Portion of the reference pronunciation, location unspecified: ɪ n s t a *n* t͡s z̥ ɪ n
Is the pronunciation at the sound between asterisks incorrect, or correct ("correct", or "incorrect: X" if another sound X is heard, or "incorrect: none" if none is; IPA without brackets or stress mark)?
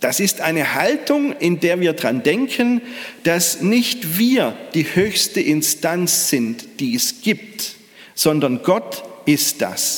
correct